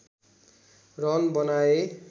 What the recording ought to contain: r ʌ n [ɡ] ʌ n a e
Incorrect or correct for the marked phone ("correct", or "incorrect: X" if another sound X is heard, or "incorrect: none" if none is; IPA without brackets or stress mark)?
incorrect: b